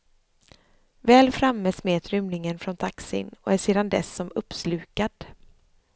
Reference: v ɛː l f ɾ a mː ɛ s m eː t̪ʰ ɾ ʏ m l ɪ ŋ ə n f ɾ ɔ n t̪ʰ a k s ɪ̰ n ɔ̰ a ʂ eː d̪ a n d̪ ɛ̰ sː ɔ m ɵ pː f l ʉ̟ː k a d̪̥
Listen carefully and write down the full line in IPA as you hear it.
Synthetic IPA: v ɛː l f ɾ a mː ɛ s m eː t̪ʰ ɾ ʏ m l ɪ ŋ ə n f ɾ ɔ n t̪ʰ a k s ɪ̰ n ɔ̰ æ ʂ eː d̪ a n d̪ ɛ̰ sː ɔ m ɵ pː s l ʉ̟ː k a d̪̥